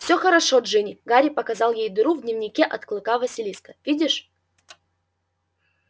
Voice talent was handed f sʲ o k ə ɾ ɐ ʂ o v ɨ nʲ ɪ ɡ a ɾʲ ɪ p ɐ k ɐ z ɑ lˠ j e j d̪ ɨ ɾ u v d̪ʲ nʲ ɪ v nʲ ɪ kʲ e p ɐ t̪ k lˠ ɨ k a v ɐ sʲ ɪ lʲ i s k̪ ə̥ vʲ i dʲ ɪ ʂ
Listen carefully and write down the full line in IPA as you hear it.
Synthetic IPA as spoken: f sʲ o x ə ɾ ɐ ʂ o ʐ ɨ nʲ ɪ ɡ a ɾʲ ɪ p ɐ k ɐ z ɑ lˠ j e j d̪ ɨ ɾ u v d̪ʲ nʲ ɪ v nʲ ɪ kʲ e ʔ ɐ t̪ k lˠ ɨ k a v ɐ sʲ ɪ lʲ i s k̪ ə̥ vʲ i dʲ ɪ ʂ